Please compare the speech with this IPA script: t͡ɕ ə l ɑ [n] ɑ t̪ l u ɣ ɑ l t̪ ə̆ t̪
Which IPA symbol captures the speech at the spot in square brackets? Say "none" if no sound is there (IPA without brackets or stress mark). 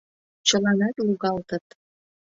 n